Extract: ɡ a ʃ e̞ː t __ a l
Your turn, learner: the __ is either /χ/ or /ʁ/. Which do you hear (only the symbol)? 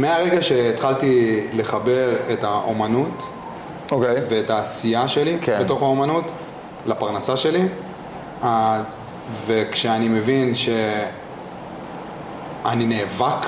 χ